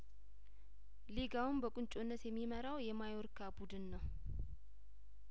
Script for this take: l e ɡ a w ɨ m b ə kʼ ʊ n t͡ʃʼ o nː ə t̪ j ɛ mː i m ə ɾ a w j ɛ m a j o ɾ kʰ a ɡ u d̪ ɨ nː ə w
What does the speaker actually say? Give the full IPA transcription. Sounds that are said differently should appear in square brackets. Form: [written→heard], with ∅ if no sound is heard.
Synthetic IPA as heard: l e ɡ a w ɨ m b ə kʼ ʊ n t͡ʃʼ o nː ə t̪ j ɛ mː i m ə ɾ a w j ɛ m a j o ɾ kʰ a [ɡ→b] u d̪ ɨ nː ə w